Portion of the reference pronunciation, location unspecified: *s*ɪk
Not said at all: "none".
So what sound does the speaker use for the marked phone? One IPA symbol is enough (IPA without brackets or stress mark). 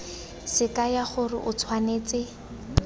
s